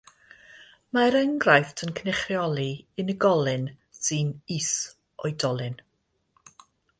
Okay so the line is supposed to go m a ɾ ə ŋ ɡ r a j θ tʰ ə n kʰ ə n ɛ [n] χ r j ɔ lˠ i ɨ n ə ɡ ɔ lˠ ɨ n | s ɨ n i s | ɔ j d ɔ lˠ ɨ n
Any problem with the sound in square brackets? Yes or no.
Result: yes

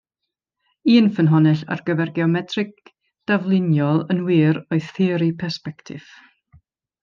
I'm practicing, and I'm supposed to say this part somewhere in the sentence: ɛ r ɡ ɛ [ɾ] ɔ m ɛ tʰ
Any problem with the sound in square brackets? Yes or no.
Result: yes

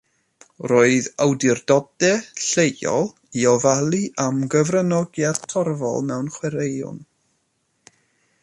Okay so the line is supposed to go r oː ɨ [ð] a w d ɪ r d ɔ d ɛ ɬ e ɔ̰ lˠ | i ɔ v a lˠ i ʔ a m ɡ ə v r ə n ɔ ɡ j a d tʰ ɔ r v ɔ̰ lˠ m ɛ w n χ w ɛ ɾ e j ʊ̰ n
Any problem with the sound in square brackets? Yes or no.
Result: no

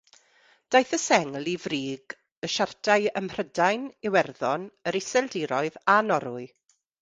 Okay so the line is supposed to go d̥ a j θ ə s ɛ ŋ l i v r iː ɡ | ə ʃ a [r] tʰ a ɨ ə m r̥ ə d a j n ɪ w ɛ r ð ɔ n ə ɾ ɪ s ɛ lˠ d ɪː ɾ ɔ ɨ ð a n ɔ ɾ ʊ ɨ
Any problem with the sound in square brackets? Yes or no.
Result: no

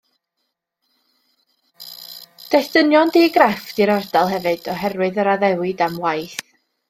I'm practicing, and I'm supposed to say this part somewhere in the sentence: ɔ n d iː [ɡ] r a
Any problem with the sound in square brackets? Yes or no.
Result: no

